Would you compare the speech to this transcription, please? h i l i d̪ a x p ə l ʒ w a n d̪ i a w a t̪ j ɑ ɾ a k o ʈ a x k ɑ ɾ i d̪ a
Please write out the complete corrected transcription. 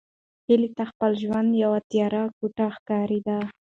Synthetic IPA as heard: h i l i t̪ a x p ə l ʒ w a n d̪ j a w a t̪ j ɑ ɾ a k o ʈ a x k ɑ ɾ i d̪ a